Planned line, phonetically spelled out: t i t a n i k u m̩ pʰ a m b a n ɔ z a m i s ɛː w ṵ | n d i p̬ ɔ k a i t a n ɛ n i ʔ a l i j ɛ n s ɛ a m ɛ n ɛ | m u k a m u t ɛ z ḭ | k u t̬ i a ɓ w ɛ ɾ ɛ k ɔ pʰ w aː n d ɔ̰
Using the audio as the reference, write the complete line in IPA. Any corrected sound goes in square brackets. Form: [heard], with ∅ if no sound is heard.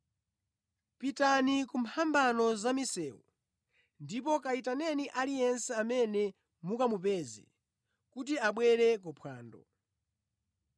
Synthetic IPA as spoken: [p] i t a n i k u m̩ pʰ a m b a n ɔ z a m i s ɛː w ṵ | n d i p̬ ɔ k a i t a n ɛ n i ʔ a l i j ɛ n s ɛ a m ɛ n ɛ | m u k a m u [p] ɛ z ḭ | k u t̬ i a ɓ w ɛ ɾ ɛ k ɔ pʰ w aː n d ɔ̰